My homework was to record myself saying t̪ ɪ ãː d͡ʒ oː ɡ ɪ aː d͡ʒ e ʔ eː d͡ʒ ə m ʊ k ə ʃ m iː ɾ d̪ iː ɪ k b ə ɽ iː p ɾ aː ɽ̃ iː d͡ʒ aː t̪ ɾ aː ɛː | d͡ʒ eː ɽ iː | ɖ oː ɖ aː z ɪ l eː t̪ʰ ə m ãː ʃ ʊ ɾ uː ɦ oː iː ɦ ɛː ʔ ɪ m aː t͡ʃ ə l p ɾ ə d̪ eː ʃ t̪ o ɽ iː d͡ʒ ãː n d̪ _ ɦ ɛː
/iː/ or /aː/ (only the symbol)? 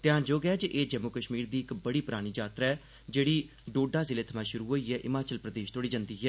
iː